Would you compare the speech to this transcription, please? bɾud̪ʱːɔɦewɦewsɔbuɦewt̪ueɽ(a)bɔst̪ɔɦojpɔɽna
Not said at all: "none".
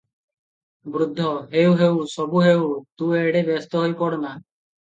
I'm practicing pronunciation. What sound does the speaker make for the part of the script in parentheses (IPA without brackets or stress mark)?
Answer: e